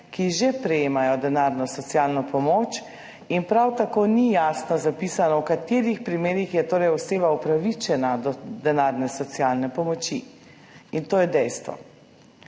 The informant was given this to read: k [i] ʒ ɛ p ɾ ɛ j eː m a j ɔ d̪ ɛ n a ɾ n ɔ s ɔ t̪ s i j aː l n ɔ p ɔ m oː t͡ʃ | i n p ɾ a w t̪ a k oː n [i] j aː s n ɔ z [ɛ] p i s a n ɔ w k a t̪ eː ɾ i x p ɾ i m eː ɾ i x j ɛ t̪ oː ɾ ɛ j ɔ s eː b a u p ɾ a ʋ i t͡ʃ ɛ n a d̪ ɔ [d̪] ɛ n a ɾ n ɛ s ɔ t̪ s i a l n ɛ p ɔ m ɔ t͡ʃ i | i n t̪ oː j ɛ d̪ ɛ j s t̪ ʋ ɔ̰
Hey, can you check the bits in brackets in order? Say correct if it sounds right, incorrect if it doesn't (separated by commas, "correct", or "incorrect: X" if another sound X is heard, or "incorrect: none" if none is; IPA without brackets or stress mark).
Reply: correct, correct, incorrect: a, correct